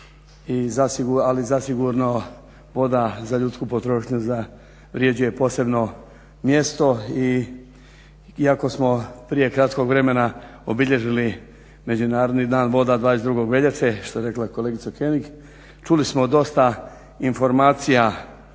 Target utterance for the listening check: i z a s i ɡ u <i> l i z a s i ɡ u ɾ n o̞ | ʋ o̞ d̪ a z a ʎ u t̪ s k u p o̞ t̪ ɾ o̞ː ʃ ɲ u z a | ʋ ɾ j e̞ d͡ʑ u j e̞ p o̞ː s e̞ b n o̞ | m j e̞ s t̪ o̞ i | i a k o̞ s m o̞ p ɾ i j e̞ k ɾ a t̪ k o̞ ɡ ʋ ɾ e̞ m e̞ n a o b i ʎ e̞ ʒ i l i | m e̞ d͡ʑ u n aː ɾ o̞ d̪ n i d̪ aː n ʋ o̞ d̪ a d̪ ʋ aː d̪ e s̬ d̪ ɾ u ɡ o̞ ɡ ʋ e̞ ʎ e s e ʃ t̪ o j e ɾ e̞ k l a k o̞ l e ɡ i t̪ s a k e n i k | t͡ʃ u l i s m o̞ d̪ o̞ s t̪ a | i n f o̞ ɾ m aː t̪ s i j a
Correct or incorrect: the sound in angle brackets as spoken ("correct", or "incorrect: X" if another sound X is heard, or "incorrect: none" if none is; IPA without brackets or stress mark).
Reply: incorrect: a